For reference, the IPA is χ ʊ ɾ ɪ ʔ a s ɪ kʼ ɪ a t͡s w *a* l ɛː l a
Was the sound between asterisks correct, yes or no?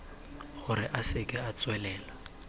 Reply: no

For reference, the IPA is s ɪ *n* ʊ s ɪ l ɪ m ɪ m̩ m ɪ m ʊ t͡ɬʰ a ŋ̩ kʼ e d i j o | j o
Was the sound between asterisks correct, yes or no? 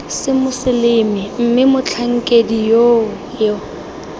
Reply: no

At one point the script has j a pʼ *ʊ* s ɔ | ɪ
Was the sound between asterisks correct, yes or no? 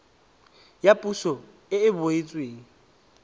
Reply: no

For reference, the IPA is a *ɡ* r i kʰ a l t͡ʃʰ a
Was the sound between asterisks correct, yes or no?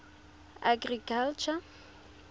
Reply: yes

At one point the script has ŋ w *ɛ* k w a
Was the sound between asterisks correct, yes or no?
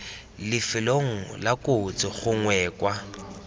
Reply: no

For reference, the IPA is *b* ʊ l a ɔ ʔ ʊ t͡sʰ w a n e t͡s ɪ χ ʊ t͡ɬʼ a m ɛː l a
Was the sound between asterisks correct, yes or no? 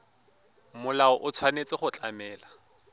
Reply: no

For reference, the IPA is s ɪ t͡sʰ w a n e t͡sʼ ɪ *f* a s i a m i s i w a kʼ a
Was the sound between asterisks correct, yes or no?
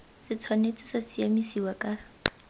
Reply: no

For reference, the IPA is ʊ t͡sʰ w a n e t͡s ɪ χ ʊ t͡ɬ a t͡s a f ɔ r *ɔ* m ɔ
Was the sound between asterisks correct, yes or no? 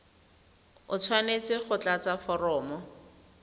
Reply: no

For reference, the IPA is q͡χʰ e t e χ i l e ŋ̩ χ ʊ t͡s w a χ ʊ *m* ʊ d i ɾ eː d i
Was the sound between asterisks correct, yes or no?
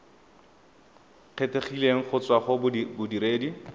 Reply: no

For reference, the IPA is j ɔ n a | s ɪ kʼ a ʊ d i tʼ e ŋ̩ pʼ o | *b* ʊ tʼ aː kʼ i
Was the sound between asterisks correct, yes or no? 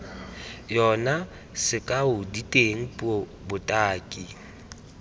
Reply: yes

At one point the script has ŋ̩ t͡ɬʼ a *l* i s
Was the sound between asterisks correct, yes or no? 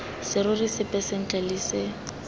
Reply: yes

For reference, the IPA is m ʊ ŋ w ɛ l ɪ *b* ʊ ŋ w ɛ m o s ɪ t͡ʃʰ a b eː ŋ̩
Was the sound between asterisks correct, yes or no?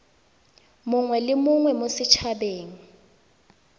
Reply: no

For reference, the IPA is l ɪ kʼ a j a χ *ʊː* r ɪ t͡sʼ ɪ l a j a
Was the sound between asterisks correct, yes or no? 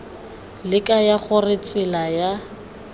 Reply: no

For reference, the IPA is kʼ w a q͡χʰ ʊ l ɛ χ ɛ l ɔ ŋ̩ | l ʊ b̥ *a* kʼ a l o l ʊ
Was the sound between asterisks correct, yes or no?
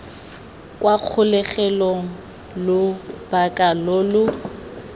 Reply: yes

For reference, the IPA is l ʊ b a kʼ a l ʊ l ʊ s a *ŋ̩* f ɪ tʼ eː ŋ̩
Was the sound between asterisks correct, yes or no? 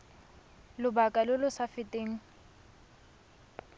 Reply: no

